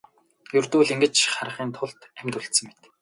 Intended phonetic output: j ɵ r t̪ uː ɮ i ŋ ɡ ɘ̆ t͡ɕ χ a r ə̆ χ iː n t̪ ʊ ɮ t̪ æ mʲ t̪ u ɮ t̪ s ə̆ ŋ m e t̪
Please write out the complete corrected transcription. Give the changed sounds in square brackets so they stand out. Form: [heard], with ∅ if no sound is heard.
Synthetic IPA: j ɵ r t̪ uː ɮ i ŋ ɡ ɘ̆ t͡ɕ χ a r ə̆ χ iː n [t̪ʰ] ʊ ɮ t̪ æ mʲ t̪ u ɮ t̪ s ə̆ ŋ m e t̪